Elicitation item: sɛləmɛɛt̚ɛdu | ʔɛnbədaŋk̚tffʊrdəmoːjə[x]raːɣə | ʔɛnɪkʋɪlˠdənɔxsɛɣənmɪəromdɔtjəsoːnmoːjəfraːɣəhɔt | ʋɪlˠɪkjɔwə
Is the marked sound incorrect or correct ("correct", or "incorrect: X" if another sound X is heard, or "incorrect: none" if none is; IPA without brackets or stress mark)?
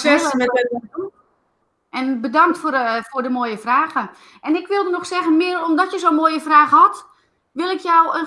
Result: incorrect: f